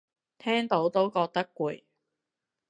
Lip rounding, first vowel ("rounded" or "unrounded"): unrounded